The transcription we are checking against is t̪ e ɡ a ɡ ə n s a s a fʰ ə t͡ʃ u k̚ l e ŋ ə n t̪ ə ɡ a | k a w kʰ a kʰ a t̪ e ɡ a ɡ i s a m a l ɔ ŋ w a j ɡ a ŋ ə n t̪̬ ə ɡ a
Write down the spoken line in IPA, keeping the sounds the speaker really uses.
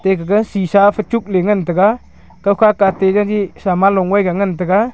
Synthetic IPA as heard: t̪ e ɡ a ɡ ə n s i s a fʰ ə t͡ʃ u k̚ l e ŋ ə n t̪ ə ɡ a | k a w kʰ a k a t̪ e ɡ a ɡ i s a m a l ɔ ŋ w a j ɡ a ŋ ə n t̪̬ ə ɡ a